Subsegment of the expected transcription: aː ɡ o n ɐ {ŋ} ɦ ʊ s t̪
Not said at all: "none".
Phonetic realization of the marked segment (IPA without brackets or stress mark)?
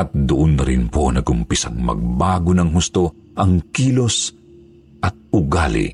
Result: ŋ